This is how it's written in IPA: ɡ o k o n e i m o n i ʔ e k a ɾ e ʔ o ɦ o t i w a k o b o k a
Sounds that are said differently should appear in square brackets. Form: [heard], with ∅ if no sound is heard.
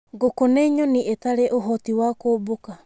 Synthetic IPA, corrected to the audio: ɡ o k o n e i [ɲ] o n i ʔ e [t] a ɾ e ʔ o ɦ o t i w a k o b o k a